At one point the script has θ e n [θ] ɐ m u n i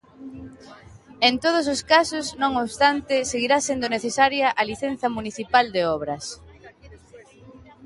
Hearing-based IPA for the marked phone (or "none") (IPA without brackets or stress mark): θ